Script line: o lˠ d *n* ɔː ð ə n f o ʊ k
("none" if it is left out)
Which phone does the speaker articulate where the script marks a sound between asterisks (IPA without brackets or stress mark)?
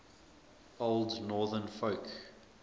n